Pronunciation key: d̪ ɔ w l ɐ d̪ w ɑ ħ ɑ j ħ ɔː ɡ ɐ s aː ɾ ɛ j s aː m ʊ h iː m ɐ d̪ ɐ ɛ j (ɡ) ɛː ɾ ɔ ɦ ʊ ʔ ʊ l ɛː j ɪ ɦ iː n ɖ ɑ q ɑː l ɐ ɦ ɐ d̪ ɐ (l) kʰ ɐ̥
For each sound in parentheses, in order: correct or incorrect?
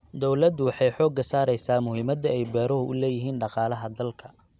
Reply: incorrect, correct

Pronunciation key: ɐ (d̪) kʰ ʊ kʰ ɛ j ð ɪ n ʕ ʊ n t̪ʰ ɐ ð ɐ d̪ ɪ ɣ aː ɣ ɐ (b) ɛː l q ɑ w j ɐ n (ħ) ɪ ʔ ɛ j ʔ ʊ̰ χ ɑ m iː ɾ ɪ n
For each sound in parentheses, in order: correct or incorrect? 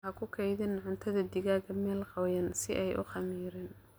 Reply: incorrect, incorrect, incorrect

